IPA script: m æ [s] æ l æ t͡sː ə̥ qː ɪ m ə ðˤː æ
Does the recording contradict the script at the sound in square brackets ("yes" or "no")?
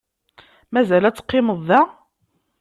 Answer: yes